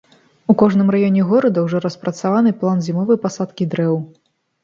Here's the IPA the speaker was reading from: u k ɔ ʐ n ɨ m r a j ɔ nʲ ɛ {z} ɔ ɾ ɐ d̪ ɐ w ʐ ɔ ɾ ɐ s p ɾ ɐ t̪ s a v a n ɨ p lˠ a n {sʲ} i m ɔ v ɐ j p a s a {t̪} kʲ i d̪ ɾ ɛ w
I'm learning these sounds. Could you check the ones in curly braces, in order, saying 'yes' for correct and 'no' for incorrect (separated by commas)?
no, no, yes